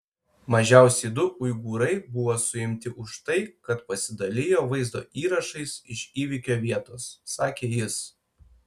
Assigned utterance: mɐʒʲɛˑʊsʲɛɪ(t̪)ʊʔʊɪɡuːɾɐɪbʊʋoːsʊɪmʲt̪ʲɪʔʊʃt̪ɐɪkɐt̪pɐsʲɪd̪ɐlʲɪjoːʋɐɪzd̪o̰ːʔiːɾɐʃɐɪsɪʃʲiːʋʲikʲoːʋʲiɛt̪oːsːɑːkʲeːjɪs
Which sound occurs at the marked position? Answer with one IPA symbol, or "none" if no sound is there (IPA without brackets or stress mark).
d̪